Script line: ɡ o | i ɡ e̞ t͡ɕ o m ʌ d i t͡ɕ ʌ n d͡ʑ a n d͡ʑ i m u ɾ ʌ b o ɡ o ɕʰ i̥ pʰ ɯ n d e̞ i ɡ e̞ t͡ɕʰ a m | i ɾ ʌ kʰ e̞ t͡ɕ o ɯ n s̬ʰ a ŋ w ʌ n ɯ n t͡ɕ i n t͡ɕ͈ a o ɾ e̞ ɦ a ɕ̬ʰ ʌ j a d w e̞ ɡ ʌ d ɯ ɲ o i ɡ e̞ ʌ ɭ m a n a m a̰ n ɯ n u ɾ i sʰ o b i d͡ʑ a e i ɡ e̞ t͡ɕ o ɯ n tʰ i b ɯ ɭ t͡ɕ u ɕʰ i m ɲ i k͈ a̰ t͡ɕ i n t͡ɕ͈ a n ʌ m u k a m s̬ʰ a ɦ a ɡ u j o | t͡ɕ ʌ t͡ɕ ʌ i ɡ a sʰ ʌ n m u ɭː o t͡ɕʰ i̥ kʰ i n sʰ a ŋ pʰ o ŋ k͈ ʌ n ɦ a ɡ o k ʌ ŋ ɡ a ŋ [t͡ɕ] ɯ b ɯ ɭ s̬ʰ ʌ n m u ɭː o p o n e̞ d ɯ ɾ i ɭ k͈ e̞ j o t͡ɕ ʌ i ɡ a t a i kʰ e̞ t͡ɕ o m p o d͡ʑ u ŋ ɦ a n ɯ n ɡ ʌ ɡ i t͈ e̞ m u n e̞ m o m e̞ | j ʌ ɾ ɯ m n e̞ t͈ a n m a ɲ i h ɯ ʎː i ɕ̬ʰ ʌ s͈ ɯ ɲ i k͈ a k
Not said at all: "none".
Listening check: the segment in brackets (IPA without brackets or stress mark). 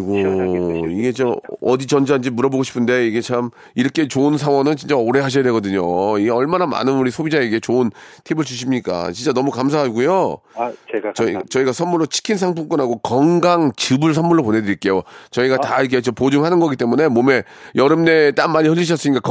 t͡ɕ